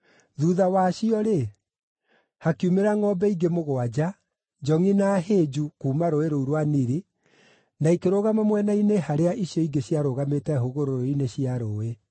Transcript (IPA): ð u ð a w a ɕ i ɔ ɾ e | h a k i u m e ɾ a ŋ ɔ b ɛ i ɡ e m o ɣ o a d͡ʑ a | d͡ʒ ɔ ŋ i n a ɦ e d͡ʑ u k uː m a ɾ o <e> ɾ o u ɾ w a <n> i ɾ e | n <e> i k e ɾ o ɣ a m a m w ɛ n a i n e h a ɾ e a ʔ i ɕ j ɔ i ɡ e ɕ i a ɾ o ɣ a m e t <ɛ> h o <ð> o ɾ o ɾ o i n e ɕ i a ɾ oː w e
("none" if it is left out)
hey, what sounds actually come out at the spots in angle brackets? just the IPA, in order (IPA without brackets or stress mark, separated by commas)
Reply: e, n, a, ɛ, ɣ